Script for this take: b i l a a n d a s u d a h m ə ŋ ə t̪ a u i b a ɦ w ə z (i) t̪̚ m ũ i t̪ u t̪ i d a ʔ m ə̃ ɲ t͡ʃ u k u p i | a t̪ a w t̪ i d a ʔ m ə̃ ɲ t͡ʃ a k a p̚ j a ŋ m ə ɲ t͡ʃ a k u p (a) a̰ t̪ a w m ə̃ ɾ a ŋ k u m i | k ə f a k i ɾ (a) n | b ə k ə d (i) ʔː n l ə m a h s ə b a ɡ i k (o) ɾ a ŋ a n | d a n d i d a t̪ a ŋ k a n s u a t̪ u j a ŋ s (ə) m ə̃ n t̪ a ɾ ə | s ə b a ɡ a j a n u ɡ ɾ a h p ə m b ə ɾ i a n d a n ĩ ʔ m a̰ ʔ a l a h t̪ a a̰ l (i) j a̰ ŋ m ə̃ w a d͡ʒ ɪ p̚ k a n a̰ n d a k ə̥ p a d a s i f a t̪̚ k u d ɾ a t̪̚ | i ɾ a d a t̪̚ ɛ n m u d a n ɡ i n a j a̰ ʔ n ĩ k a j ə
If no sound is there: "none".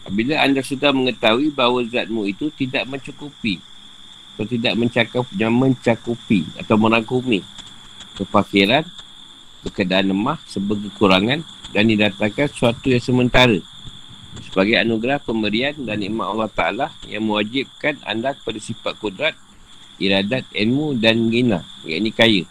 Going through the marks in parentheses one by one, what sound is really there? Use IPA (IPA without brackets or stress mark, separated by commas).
a, i, a, a, u, ə, a